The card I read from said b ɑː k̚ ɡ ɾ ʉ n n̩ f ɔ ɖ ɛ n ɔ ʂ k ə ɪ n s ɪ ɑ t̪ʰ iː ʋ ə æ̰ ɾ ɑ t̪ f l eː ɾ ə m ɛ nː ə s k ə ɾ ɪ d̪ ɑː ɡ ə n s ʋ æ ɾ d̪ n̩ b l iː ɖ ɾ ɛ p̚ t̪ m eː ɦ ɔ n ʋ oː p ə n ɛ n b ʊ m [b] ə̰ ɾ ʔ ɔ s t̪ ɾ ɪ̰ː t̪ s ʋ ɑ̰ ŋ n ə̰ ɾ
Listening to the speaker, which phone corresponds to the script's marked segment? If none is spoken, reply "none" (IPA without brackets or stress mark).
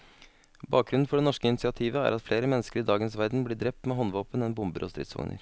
b